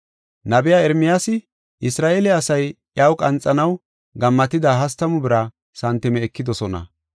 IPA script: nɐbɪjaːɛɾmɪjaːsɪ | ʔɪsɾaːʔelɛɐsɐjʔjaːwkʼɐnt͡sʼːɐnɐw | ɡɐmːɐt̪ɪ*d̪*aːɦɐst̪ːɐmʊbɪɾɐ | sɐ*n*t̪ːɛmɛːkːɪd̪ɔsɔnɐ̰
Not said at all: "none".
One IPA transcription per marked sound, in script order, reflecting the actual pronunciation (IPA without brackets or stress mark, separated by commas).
d̪, n